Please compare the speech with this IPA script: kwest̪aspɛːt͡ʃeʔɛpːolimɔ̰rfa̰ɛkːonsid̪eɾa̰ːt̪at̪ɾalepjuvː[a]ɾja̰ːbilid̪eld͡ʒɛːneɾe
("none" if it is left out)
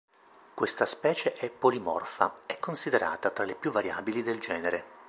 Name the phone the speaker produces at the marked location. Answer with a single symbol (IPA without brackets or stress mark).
a